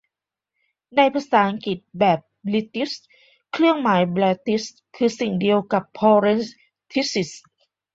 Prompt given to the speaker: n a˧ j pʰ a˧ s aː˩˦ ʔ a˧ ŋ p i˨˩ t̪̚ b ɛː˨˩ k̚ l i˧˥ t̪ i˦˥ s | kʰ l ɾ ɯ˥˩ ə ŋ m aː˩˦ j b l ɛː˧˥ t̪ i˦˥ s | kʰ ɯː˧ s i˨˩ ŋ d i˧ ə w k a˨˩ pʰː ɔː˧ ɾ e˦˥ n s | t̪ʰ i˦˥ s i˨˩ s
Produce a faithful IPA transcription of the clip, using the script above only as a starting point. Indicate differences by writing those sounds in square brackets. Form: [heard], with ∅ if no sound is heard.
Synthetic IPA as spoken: n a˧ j pʰ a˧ s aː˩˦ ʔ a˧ ŋ [k] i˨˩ t̪̚ b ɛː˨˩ [p̚] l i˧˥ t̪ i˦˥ s | kʰ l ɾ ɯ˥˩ ə ŋ m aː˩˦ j b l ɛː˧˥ t̪ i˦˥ s | kʰ ɯː˧ s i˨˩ ŋ d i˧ ə w k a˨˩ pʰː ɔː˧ ɾ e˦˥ n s | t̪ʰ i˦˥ s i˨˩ s

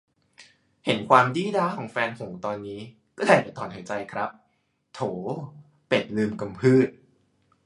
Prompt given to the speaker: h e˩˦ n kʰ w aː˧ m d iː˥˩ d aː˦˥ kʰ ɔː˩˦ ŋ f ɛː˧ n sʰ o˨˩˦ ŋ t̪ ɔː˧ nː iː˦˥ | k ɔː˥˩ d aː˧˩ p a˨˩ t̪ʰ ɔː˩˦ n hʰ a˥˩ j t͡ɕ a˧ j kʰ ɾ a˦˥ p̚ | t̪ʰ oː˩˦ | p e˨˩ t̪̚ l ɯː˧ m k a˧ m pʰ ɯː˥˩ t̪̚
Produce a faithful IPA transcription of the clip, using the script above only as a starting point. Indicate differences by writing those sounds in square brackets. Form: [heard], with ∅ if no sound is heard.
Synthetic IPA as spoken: h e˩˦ n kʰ w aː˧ m d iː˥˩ d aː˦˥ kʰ ɔː˩˦ ŋ f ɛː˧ n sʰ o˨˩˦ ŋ t̪ ɔː˧ nː iː˦˥ | k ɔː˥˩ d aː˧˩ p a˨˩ t̪ʰ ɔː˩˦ n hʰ [a˩˦] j t͡ɕ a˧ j kʰ ɾ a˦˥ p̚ | t̪ʰ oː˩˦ | p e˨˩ t̪̚ l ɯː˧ m k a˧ m pʰ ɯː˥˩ t̪̚

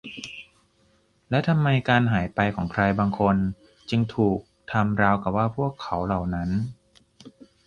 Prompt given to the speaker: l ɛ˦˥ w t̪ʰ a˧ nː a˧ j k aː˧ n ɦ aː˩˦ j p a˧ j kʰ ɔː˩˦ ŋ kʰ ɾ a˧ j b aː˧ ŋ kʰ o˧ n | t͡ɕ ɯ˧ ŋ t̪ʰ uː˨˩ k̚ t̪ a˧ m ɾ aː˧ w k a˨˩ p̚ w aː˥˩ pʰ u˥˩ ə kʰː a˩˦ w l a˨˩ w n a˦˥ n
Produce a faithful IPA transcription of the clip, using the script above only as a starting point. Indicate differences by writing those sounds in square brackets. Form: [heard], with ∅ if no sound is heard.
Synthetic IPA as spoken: l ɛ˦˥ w t̪ʰ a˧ [mː] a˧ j k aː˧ n ɦ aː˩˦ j p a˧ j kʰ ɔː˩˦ ŋ kʰ ɾ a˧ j b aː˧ ŋ kʰ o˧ n | t͡ɕ ɯ˧ ŋ t̪ʰ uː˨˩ k̚ [t̪ʰ] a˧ m ɾ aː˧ w k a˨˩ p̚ w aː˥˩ pʰ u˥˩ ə kʰː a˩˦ w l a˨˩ w n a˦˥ n

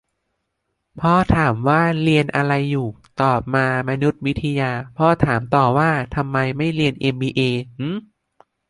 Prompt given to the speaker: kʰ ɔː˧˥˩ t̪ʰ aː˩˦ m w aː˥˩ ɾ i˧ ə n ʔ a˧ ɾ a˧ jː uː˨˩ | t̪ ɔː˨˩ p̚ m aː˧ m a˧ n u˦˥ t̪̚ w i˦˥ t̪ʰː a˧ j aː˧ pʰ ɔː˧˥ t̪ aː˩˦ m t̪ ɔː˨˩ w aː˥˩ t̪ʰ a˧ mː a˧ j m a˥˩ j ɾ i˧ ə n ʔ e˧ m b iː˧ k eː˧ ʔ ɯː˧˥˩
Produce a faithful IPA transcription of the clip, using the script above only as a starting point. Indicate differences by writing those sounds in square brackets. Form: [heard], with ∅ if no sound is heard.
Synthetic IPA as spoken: [pʰ] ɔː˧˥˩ t̪ʰ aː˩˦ m w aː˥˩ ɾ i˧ ə n ʔ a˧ ɾ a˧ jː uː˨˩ | t̪ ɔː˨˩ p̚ m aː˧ m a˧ n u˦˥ t̪̚ w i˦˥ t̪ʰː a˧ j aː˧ pʰ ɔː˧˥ [t̪ʰ] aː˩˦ m t̪ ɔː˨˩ w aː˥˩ t̪ʰ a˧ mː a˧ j m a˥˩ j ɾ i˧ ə n ʔ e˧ m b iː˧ [ʔ] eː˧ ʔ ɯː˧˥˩

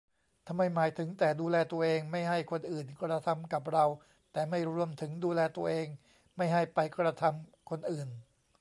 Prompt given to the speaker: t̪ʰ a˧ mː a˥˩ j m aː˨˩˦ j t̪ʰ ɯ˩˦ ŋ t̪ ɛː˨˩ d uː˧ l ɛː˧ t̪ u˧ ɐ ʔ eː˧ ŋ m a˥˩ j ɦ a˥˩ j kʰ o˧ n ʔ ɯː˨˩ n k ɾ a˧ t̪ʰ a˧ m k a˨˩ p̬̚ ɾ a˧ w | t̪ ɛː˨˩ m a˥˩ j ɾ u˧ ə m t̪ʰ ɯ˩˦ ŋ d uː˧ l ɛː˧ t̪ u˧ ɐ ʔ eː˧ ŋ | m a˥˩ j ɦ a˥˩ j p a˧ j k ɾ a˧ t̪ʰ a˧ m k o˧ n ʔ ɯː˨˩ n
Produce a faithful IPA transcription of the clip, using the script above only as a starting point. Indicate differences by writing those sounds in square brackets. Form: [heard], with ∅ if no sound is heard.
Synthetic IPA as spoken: t̪ʰ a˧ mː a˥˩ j m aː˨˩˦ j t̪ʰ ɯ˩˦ ŋ t̪ ɛː˨˩ d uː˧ l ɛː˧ t̪ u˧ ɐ ʔ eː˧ ŋ m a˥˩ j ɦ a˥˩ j kʰ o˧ n ʔ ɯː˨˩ n k ɾ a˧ t̪ʰ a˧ m k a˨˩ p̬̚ ɾ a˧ w | t̪ ɛː˨˩ m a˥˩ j ɾ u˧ ə m t̪ʰ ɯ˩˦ ŋ d uː˧ l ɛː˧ t̪ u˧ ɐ ʔ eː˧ ŋ | m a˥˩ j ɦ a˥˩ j p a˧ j k ɾ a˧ t̪ʰ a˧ m [kʰ] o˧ n ʔ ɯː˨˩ n

